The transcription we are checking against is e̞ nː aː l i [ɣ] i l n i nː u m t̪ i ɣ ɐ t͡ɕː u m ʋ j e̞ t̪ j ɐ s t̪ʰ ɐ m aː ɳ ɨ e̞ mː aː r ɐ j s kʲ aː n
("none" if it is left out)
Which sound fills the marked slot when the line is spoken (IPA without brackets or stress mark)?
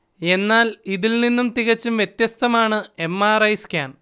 ð